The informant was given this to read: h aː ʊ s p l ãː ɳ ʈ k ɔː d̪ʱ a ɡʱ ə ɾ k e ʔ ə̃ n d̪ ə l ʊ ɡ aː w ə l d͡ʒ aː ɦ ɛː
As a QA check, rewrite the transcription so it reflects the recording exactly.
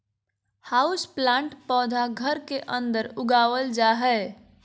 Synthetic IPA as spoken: h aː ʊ s p l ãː ɳ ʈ p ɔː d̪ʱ a ɡʱ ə ɾ k e ʔ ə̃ n d̪ ə ɾ ʊ ɡ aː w ə l d͡ʒ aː ɦ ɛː